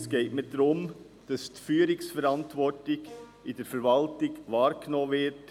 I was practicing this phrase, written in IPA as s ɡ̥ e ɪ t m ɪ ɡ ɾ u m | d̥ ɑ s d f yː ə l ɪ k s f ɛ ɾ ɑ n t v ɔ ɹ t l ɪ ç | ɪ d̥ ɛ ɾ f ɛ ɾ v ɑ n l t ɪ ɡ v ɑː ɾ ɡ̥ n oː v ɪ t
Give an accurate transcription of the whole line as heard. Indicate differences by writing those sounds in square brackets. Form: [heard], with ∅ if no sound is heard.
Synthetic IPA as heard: s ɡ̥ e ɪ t m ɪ [d] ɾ [ʊ] m | d̥ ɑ s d f yː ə [ɾ] ɪ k s f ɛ ɾ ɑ n t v ɔ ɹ t l ɪ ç | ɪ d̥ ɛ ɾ f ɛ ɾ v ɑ [∅] l t ɪ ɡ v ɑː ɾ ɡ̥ n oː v ɪ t